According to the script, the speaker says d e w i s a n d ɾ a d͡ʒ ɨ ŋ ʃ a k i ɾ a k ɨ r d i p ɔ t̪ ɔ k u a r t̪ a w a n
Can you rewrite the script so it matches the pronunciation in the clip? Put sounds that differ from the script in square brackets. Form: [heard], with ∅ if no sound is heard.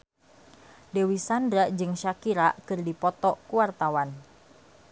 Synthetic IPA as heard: d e w i s a n d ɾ a d͡ʒ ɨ ŋ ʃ a k i ɾ a k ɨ r d i p ɔ t̪ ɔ k u a r t̪ a w a n